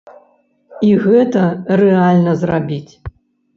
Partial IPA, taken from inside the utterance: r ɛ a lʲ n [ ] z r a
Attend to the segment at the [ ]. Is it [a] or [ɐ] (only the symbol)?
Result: ɐ